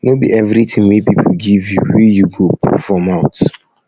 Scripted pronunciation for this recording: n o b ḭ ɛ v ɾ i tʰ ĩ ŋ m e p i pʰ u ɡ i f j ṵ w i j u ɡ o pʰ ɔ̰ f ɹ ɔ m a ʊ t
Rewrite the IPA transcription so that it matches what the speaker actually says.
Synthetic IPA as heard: n o b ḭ ɛ v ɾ i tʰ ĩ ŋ m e p i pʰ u ɡ i v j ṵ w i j u ɡ o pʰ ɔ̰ f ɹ ɔ m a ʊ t